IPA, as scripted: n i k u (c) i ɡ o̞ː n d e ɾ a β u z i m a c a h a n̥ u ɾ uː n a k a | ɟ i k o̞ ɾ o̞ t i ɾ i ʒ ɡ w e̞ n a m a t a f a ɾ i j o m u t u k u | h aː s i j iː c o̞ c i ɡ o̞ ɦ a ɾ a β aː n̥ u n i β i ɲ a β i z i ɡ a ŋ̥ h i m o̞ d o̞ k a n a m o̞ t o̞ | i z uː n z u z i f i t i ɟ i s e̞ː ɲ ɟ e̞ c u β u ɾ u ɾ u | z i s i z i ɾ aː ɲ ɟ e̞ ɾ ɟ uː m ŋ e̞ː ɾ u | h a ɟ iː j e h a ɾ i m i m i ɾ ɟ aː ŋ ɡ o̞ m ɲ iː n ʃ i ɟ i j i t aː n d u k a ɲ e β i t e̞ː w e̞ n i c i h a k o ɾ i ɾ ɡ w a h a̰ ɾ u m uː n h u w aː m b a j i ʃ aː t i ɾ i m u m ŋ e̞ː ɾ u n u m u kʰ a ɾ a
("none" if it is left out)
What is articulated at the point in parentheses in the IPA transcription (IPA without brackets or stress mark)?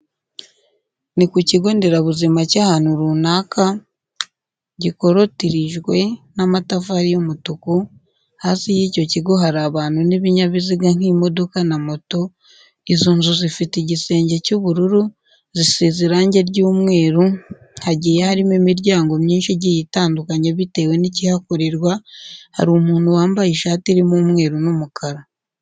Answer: c